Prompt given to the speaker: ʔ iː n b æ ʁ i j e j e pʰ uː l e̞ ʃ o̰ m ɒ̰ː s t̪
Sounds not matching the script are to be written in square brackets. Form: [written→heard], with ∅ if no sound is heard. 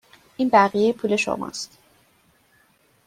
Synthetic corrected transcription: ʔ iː n b æ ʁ i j e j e pʰ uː l e̞ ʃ o̰ m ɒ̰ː s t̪